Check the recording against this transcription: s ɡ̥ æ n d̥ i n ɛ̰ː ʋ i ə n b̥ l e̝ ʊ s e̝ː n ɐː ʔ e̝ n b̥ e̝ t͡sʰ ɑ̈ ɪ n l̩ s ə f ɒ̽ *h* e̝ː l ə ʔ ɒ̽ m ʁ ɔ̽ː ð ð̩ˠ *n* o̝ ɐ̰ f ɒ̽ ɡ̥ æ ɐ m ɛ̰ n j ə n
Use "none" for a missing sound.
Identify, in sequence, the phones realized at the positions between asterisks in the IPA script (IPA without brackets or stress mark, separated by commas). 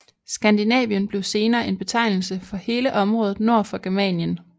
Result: h, n